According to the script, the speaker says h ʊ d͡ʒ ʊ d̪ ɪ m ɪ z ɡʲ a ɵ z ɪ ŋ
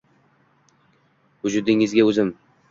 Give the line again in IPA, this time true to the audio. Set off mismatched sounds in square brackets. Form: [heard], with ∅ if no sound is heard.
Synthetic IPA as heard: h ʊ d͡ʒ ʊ d̪ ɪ [ŋ] ɪ z ɡʲ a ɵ z ɪ [m]